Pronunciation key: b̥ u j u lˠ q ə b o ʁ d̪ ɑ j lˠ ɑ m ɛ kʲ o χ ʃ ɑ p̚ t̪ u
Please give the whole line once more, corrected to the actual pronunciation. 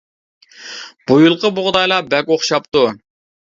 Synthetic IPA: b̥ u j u lˠ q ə b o ʁ d̪ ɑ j lˠ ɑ b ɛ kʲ o χ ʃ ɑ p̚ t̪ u